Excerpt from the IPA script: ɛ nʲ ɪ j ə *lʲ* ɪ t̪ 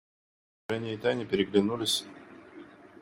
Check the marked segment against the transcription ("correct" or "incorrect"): incorrect